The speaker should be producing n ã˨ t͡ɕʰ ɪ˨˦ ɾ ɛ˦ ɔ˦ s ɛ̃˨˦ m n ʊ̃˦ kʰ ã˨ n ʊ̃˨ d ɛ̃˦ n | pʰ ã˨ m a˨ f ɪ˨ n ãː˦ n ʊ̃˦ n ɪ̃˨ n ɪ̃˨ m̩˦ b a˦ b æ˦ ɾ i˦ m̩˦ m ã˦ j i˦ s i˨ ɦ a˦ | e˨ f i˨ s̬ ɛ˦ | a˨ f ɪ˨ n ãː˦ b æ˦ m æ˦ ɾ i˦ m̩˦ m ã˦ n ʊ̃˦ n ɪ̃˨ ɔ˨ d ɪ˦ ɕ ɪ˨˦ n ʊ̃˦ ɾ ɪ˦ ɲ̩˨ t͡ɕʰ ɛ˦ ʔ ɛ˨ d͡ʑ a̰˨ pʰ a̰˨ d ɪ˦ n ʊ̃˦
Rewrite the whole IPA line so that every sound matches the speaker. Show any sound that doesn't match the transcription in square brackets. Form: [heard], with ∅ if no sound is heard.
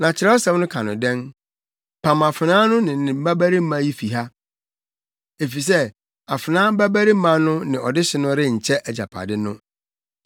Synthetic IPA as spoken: n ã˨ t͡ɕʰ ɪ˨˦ ɾ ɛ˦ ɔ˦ s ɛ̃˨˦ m n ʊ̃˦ kʰ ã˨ n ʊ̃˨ d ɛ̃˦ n | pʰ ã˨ m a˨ f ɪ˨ n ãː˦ n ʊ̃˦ n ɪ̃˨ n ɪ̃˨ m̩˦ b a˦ b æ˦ ɾ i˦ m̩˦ m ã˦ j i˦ [f] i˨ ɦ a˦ | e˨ f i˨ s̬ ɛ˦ | a˨ f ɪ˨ n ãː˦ b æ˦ [b] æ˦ ɾ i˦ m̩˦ m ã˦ n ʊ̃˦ n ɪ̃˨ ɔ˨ d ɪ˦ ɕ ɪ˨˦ n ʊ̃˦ ɾ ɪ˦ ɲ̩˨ t͡ɕʰ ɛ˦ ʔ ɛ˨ d͡ʑ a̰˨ pʰ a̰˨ d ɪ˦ n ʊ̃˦

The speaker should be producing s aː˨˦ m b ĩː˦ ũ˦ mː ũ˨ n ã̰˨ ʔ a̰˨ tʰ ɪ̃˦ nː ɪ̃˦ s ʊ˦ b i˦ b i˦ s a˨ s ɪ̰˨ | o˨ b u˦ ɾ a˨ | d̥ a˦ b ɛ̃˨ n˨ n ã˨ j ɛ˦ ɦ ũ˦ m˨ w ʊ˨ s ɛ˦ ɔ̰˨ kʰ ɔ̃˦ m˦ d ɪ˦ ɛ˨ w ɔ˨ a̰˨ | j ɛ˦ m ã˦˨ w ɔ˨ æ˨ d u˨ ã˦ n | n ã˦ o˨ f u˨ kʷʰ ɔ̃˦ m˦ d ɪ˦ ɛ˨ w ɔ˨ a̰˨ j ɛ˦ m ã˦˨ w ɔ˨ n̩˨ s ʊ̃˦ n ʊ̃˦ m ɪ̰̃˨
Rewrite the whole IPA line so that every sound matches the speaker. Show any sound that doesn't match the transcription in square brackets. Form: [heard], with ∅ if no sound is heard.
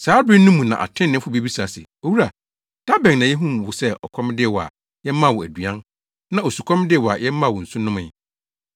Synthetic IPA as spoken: s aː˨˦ [∅] b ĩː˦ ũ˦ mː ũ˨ n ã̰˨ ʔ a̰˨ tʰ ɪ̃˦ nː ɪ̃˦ [f] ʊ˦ b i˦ b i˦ s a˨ s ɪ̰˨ | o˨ [w] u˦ ɾ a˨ | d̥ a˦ b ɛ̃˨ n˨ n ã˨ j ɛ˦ ɦ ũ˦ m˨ w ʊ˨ s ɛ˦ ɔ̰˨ kʰ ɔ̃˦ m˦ d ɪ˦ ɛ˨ w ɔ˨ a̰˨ | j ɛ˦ m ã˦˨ w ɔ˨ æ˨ d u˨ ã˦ n | n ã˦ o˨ [s] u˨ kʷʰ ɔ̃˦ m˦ d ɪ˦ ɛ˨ w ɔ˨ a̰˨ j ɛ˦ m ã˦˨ w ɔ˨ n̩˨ s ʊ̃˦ n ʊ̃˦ m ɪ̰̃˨

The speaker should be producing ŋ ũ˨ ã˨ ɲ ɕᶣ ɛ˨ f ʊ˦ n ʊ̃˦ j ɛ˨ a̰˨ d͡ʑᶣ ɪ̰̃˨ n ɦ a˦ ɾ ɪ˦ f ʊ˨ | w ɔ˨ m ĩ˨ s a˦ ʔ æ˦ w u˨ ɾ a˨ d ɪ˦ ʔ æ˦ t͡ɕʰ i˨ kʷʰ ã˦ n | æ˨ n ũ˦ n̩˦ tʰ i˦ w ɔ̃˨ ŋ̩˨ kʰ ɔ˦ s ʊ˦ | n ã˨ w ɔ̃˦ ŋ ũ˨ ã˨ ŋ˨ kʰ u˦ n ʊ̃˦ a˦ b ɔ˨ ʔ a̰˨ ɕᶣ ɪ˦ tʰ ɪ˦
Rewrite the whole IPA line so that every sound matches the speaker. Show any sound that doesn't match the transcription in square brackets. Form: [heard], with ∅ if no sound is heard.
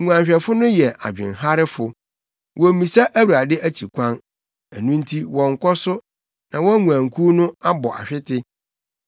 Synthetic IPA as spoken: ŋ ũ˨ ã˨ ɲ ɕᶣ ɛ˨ f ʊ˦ n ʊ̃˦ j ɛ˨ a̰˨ d͡ʑᶣ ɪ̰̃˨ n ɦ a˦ ɾ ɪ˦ f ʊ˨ | w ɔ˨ m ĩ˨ s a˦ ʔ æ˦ w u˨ ɾ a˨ d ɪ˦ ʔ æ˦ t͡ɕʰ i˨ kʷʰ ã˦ n | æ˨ n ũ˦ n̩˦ tʰ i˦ w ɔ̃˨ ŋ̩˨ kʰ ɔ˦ s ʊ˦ | n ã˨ w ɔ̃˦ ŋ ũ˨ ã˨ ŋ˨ kʰ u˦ n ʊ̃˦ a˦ b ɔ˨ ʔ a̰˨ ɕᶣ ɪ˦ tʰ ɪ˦

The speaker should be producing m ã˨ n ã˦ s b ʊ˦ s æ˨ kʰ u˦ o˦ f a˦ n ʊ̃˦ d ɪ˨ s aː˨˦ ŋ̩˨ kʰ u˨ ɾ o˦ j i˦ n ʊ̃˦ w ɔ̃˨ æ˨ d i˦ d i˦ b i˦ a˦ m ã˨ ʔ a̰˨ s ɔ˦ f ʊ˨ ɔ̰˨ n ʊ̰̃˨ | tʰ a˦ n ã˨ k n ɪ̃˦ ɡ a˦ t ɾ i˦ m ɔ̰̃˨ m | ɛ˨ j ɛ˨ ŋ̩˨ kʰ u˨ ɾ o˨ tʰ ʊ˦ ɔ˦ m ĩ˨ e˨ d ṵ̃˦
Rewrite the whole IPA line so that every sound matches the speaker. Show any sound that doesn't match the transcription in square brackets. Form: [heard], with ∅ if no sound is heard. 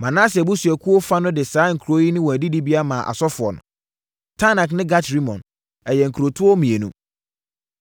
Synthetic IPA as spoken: m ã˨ n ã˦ s b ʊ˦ s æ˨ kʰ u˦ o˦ f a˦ n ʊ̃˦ d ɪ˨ s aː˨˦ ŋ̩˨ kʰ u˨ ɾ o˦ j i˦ n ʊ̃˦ w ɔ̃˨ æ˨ d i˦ d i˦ b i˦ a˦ m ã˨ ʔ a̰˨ s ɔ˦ f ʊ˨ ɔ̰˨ n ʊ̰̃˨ | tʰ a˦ n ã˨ k n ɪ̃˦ ɡ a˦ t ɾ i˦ m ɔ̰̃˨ [n] | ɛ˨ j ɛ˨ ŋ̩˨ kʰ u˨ ɾ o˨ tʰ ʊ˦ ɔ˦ m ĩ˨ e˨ [n] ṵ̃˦

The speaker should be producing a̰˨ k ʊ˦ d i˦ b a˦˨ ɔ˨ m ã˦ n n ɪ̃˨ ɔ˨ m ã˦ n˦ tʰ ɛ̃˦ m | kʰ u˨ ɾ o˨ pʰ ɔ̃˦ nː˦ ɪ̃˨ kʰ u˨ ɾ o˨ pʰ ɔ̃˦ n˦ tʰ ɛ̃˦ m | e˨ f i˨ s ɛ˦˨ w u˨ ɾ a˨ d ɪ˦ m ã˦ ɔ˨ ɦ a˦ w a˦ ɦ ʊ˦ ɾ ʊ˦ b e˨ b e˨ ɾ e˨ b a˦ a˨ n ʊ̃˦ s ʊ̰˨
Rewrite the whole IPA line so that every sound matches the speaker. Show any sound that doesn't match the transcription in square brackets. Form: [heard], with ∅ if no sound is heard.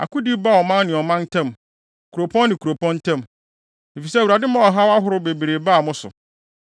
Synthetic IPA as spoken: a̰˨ k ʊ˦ d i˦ b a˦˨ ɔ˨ m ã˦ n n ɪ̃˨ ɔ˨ m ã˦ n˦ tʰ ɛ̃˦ m | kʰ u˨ ɾ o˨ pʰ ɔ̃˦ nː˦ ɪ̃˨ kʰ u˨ ɾ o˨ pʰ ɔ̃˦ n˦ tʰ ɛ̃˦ m | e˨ f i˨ s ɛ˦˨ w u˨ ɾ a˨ d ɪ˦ m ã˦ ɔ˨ ɦ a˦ w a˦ ɦ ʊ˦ ɾ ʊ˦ b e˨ b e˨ ɾ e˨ b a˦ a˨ [m] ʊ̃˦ s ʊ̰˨

